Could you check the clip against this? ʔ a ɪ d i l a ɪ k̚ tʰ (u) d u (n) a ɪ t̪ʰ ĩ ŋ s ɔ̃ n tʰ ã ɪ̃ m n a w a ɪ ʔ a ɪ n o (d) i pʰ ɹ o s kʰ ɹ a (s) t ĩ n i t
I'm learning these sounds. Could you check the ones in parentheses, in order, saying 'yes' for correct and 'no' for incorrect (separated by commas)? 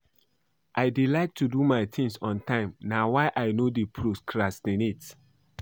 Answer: yes, no, yes, yes